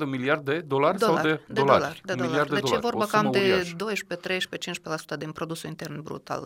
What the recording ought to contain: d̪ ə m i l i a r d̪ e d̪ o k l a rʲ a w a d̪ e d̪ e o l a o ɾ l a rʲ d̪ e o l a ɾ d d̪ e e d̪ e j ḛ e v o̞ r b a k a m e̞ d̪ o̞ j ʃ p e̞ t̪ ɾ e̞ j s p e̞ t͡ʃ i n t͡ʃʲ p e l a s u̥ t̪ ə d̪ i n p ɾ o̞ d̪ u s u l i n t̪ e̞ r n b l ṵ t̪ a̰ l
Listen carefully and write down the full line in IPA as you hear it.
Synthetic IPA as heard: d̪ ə m i l i a r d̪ e d̪ o l a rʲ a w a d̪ e d̪ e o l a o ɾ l a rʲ d̪ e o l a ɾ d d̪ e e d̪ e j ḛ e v o̞ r b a k a m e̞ d̪ o̞ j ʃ p e̞ t̪ ɾ e̞ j ʃ p e̞ t͡ʃ i n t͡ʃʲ p e l a s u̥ t̪ ə d̪ i n p ɾ o̞ d̪ u s u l i n t̪ e̞ r n b ɾ ṵ t̪ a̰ l